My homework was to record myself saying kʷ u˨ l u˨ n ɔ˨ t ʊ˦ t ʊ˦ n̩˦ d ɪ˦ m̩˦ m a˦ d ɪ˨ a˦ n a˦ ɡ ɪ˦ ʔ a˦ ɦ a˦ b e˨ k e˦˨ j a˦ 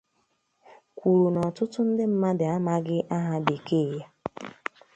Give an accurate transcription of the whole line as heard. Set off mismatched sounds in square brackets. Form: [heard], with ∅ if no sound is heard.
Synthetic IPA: kʷ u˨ [ɾ] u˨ n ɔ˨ t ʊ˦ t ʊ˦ n̩˦ d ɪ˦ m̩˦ m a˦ d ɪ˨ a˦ [m] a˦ ɡ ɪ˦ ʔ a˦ ɦ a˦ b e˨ k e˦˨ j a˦

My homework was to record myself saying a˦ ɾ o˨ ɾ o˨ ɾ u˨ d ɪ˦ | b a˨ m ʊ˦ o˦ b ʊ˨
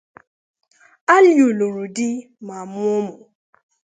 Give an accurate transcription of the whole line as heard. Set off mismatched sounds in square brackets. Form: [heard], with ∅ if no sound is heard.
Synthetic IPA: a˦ [l] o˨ [l] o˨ ɾ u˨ d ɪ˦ | [m] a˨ m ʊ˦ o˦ [m] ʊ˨

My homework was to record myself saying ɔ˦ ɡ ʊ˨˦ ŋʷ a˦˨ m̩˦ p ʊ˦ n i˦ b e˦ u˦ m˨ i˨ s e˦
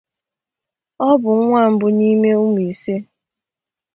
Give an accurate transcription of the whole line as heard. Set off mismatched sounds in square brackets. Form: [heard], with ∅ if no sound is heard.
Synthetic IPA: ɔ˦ [b] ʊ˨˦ ŋʷ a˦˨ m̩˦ [b] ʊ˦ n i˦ [m] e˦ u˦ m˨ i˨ s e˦

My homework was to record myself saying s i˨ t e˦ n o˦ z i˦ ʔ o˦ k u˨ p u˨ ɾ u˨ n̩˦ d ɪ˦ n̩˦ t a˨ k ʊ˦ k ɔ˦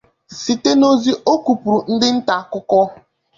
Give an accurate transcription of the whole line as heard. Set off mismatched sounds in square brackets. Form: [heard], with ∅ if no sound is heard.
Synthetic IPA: s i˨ t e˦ n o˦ z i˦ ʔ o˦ k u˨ p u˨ ɾ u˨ n̩˦ d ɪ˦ n̩˦ t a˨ k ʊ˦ k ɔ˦

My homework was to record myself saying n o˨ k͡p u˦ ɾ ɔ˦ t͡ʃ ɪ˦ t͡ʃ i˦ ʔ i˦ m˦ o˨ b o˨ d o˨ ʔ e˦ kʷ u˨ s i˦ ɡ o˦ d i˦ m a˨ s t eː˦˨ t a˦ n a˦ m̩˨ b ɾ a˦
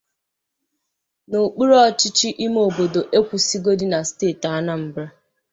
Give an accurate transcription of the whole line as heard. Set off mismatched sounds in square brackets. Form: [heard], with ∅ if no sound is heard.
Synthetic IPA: n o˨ k͡p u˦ ɾ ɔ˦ t͡ʃ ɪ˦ t͡ʃ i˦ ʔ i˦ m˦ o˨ b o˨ d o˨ ʔ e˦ kʷ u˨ s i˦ ɡ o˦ d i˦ [n] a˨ s t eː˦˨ t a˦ n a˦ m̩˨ b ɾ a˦

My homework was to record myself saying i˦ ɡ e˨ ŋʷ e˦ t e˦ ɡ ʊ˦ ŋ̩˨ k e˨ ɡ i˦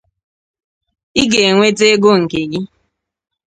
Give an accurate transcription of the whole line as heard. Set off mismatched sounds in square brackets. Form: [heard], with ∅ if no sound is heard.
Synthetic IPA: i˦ ɡ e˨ ŋʷ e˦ t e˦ ɡ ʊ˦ ŋ̩˨ k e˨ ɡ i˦

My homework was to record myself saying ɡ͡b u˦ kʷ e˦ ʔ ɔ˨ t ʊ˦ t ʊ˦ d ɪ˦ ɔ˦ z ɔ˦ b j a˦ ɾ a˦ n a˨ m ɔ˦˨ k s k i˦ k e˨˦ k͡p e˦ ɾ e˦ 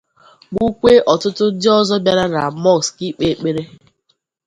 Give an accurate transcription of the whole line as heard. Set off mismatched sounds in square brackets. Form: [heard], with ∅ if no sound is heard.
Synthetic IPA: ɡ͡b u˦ kʷ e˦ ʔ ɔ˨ t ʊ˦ t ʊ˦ d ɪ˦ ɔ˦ z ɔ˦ b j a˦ ɾ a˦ n a˨ m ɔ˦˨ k s k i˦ [k͡p] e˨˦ k͡p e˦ ɾ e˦

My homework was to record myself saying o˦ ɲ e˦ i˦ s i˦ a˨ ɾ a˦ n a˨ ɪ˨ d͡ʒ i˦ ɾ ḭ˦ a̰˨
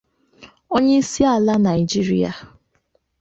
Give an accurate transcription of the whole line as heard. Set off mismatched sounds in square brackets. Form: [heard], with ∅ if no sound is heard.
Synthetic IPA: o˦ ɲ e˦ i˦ s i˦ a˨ [l] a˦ n a˨ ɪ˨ d͡ʒ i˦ ɾ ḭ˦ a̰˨

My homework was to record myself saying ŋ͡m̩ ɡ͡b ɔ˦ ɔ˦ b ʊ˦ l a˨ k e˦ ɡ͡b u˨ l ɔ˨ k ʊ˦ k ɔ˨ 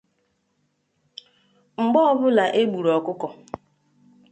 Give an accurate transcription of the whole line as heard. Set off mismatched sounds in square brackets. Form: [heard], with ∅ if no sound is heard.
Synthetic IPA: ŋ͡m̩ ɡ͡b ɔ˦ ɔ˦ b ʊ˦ l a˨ [ʔ] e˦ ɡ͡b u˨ [ɾ] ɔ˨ k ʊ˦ k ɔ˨

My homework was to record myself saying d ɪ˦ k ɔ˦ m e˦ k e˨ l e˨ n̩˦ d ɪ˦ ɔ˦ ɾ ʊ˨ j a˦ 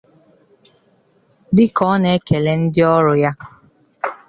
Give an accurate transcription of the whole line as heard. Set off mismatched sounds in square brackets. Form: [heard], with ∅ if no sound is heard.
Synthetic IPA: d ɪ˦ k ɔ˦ [n] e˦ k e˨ l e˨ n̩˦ d ɪ˦ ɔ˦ ɾ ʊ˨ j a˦

